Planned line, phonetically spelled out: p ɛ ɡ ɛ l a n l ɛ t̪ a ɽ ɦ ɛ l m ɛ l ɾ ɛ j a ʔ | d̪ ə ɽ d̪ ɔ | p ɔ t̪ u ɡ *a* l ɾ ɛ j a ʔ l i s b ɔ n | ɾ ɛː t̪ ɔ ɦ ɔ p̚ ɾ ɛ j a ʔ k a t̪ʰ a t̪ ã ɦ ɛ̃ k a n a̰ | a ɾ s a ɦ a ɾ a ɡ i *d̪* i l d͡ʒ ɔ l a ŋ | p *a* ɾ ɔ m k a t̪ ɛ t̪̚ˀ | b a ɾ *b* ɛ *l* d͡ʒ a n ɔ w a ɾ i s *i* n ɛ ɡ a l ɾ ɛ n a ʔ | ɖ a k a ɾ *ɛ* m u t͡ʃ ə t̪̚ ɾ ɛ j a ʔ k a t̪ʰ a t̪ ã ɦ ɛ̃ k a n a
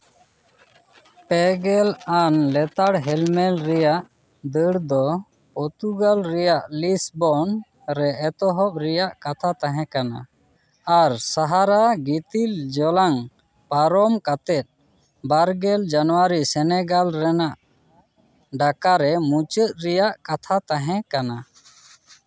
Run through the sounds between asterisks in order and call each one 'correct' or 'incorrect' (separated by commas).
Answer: correct, incorrect, correct, incorrect, correct, incorrect, correct